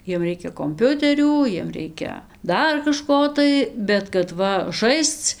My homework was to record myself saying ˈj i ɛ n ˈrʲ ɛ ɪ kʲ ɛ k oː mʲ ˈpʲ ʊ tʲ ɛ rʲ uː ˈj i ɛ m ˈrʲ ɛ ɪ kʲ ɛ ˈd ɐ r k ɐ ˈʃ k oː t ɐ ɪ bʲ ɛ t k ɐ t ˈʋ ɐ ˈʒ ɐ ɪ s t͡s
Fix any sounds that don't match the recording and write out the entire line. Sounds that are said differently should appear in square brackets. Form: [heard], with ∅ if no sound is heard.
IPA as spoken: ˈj i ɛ [m] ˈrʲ ɛ ɪ kʲ ɛ k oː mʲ ˈpʲ ʊ tʲ ɛ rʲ uː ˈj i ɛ m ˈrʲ ɛ ɪ kʲ ɛ ˈd ɐ r k ɐ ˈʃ k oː t ɐ ɪ bʲ ɛ t k ɐ t ˈʋ ɐ ˈʒ ɐ ɪ s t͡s